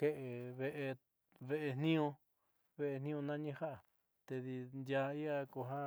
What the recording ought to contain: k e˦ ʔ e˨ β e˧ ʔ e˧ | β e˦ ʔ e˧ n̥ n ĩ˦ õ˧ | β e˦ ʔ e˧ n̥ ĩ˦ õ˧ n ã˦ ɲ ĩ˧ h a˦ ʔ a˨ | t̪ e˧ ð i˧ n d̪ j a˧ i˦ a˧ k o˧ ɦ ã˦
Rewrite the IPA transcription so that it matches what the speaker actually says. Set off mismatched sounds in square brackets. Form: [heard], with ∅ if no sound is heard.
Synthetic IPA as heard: k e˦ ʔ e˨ β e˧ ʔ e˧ | β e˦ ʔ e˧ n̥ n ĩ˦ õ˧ | β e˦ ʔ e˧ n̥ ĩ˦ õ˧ n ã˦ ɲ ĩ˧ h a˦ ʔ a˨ | t̪ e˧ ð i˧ n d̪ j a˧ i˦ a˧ k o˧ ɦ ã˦